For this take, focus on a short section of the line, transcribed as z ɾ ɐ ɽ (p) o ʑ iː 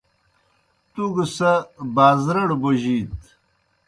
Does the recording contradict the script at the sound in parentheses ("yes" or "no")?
yes